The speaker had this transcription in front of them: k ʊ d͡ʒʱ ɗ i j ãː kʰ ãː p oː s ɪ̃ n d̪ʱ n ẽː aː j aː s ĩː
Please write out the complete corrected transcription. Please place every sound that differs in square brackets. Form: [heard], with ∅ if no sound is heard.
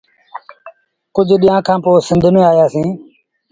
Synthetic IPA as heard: k ʊ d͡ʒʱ ɗ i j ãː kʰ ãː p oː s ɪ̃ n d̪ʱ n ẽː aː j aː s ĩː